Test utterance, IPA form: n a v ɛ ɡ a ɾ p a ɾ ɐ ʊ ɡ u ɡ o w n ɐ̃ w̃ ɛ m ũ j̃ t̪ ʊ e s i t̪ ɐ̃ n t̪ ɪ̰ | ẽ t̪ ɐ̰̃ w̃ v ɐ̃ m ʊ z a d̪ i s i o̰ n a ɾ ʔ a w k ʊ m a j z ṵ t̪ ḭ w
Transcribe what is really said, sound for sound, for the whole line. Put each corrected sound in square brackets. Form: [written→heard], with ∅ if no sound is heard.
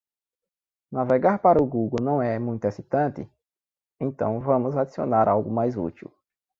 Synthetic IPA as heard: n a v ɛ ɡ a ɾ p a ɾ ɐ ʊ ɡ u ɡ o w n ɐ̃ w̃ ɛ m ũ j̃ t̪ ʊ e s i t̪ ɐ̃ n t̪ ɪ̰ | ẽ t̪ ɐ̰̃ w̃ v ɐ̃ m ʊ z a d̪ i s i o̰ n a ɾ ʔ a w [k→ɡ] ʊ m a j z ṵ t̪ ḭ w